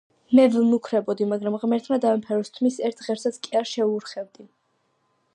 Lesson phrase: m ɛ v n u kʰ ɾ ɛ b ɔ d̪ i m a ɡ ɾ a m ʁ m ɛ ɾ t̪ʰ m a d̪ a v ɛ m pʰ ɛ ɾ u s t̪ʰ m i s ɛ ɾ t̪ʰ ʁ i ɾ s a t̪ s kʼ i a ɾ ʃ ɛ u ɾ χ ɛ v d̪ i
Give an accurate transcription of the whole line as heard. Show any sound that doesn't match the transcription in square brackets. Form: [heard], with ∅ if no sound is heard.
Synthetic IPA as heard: m ɛ v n u kʰ ɾ ɛ b ɔ d̪ i m a ɡ ɾ a m ʁ m ɛ ɾ t̪ʰ m a d̪ a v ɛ m pʰ ɛ ɾ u s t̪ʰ m i s ɛ ɾ t̪ʰ ʁ [ɛ] ɾ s a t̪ s kʼ i a ɾ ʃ ɛ u ɾ χ ɛ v d̪ i